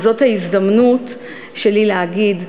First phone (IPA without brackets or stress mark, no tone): z